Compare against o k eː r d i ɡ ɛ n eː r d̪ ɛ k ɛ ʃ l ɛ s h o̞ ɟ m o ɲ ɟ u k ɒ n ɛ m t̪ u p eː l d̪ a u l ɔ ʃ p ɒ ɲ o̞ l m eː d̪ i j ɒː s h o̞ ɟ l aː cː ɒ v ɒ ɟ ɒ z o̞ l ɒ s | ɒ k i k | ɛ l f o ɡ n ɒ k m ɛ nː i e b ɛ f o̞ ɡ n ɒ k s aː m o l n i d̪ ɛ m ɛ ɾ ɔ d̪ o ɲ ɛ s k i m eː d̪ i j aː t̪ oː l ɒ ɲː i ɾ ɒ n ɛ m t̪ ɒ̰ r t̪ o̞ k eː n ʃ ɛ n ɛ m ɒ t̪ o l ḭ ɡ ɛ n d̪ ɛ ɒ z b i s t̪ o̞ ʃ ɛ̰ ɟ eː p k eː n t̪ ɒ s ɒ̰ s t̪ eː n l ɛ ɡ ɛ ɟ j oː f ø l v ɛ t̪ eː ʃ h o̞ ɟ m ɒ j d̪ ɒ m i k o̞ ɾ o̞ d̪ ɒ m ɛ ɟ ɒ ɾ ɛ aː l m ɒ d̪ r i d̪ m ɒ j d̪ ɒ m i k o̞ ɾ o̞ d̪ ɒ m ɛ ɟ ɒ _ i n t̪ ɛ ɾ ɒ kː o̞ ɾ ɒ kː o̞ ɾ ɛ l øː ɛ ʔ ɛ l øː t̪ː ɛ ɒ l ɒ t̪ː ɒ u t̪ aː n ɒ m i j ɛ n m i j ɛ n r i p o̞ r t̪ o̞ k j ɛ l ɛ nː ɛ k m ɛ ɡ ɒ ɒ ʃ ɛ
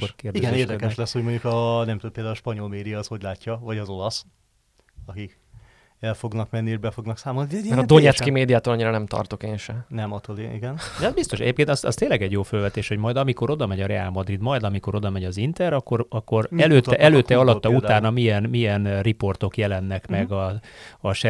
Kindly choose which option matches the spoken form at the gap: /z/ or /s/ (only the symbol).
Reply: z